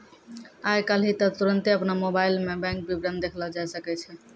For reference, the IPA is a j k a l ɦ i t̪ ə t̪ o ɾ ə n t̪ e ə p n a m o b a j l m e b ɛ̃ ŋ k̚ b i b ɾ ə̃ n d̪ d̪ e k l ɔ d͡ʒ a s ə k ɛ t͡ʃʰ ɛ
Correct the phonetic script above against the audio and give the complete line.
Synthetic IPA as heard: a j k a l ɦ i t̪ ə t̪ u ɾ ə n t̪ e ə p n a m o b a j l m e b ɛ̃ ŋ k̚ b i b ɾ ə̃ n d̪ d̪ e kʰ l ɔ d͡ʒ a s ə k ɛ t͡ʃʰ ɛ